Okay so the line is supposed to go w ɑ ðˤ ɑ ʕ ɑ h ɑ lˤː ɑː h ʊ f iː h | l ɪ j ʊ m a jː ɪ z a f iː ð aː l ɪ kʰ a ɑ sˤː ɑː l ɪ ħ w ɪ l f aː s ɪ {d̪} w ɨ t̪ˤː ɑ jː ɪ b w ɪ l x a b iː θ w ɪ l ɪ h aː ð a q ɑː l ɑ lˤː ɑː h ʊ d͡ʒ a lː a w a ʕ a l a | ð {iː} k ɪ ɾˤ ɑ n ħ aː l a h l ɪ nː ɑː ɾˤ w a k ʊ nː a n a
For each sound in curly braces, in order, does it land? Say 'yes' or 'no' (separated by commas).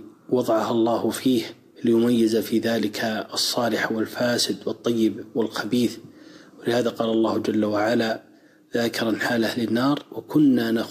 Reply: yes, no